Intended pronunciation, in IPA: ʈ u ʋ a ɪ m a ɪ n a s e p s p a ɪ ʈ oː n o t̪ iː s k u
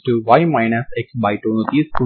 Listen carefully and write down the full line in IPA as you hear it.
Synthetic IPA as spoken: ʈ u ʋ a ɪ m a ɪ n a s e k s b a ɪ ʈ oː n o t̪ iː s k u